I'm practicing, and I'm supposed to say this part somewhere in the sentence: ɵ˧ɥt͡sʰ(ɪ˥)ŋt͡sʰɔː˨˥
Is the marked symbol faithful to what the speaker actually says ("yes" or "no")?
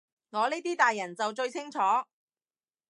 yes